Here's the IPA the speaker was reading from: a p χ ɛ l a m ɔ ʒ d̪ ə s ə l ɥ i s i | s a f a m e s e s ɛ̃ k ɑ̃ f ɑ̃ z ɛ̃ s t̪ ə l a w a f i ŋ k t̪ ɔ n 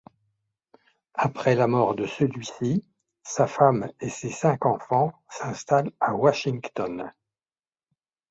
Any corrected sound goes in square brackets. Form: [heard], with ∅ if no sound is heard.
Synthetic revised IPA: a p χ ɛ l a m ɔ [ʁ] d̪ ə s ə l ɥ i s i | s a f a m e s e s ɛ̃ k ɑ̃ f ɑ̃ [s] ɛ̃ s t̪ [a] l a w a [ʃ] i ŋ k t̪ ɔ n